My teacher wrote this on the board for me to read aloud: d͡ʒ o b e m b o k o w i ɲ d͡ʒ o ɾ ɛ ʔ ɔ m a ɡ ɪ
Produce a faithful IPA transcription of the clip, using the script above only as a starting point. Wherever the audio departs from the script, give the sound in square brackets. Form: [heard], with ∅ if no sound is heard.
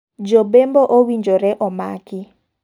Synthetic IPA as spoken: d͡ʒ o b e m b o [ʔ] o w i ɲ d͡ʒ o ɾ ɛ ʔ ɔ m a [k] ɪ